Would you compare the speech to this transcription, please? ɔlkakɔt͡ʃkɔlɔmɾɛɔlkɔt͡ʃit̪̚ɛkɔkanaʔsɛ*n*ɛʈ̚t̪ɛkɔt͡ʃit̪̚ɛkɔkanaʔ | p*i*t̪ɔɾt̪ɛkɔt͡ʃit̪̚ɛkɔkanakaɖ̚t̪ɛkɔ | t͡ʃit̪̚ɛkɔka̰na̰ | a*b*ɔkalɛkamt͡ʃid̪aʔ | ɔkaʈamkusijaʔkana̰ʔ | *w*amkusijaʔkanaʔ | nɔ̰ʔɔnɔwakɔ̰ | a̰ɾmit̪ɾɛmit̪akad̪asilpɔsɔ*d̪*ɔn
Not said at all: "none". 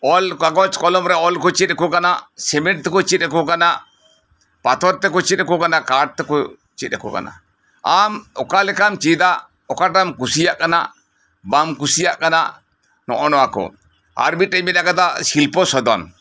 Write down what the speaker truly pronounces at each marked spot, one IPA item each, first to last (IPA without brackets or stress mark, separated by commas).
m, a, m, b, d̪